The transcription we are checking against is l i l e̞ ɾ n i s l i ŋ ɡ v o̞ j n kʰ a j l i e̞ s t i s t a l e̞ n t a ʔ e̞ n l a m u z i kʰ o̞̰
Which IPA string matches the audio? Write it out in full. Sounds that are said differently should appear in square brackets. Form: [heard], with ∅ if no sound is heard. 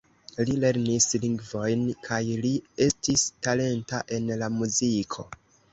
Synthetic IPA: l i l e̞ ɾ n i s l i ŋ ɡ v o̞ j n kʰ a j l i e̞ s t i s t a l e̞ n t a ʔ e̞ n l a m u z i kʰ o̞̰